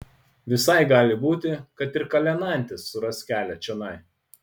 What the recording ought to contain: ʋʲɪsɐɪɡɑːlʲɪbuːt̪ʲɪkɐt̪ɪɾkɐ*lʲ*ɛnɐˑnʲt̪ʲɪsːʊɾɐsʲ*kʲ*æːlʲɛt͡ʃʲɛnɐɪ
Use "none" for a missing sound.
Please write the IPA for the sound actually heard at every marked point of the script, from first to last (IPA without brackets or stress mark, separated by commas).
lʲ, kʲ